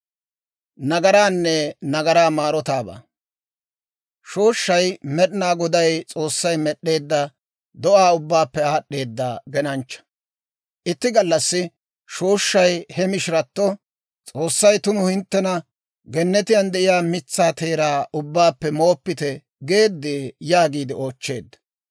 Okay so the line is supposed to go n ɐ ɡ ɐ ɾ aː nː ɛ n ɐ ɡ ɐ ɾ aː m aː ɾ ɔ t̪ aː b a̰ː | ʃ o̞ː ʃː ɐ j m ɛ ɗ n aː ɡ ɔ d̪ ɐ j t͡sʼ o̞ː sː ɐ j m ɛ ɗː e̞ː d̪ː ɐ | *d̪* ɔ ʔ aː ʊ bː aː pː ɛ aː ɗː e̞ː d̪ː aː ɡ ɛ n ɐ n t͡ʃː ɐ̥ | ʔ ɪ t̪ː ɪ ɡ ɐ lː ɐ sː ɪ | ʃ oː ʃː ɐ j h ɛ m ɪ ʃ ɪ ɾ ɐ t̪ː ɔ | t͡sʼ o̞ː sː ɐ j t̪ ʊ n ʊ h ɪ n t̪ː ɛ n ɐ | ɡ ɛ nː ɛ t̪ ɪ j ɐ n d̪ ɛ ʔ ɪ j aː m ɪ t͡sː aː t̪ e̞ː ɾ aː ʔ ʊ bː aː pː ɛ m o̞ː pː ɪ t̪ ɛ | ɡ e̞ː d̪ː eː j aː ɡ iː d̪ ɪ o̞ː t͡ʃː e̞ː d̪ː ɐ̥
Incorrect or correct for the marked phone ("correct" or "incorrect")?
correct